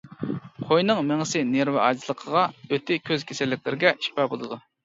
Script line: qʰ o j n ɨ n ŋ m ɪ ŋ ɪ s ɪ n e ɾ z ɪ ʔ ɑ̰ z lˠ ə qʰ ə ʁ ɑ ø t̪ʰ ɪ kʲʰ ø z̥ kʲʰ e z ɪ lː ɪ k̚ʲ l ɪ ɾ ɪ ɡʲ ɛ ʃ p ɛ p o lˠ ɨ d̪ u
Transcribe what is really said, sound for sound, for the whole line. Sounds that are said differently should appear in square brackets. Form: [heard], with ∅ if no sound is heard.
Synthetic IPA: qʰ o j n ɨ [∅] ŋ m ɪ ŋ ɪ s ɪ n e ɾ [v] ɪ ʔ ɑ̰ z lˠ ə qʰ ə ʁ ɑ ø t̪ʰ ɪ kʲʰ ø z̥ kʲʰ e [s] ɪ lː ɪ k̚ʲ l ɪ ɾ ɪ ɡʲ ɛ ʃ p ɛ [b] o lˠ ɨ d̪ u